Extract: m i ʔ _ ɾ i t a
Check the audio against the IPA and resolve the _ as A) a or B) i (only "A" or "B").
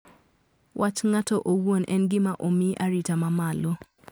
A